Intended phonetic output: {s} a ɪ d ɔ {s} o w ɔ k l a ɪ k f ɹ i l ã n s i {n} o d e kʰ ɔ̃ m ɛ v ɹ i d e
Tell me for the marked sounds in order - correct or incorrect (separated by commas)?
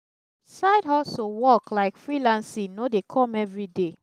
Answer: correct, correct, correct